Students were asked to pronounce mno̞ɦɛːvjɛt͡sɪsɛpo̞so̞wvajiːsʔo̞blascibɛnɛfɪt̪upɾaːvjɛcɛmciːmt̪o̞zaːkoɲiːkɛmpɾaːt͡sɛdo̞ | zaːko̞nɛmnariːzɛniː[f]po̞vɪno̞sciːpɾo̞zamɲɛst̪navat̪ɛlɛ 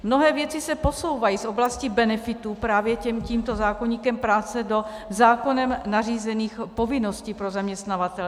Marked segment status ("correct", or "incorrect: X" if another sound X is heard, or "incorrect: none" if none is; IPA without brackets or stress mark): incorrect: x